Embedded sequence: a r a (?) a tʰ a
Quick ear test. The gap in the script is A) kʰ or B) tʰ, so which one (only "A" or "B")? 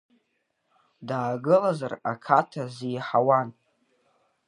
A